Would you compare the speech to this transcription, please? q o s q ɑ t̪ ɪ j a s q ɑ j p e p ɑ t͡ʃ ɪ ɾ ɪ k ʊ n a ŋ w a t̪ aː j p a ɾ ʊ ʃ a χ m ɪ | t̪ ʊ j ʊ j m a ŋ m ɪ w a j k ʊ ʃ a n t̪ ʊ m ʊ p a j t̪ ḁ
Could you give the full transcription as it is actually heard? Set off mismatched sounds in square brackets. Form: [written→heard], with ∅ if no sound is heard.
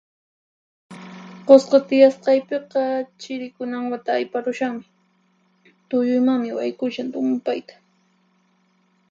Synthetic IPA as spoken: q o s q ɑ t̪ ɪ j a s q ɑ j p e [p→q] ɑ t͡ʃ ɪ ɾ ɪ k ʊ n a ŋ w a t̪ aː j p a ɾ ʊ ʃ a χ m ɪ | t̪ ʊ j ʊ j m a ŋ m ɪ w a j k ʊ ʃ a n t̪ ʊ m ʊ p a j t̪ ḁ